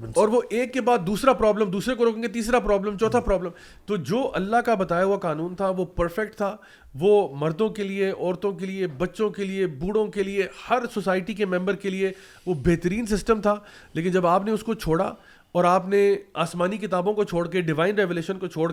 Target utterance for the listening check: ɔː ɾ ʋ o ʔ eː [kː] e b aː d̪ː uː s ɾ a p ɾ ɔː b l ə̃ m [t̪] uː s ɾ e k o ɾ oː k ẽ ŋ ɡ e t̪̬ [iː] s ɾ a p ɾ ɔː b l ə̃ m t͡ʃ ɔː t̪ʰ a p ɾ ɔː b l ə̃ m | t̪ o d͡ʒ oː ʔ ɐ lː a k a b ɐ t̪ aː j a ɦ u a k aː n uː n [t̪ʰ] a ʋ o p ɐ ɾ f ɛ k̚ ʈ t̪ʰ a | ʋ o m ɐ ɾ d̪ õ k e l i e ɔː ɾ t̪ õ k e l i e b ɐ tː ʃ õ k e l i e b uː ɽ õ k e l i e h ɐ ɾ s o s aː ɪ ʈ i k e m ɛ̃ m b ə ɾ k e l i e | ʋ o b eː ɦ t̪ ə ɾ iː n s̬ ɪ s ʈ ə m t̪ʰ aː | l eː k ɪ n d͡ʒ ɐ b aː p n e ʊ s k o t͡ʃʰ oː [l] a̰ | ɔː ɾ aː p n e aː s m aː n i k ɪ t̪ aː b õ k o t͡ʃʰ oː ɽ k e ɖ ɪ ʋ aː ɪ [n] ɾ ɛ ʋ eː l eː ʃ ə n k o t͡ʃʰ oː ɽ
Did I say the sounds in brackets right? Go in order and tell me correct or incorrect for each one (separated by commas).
correct, incorrect, correct, correct, incorrect, correct